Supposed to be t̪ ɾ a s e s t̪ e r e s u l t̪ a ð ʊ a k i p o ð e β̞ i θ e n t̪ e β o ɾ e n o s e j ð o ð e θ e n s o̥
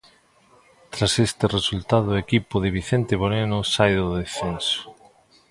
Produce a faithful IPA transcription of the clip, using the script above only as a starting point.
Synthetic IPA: t̪ ɾ a s e s t̪ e r e s u l t̪ a ð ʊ e k i p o ð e β̞ i θ e n t̪ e β o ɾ e n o s a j ð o ð e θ e n s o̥